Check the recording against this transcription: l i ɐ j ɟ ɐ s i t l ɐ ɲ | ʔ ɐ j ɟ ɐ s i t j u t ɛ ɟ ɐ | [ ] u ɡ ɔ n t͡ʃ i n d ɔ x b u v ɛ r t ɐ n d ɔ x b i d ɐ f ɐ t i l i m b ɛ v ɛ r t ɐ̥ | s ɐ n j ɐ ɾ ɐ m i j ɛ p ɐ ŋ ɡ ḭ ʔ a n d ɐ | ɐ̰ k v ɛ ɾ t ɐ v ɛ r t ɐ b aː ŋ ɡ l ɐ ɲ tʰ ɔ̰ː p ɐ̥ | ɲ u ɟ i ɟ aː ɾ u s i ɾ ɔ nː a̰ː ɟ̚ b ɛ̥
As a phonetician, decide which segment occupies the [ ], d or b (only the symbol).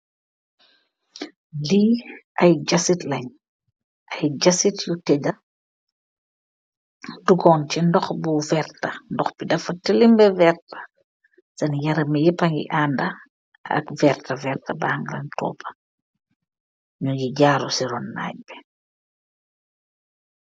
d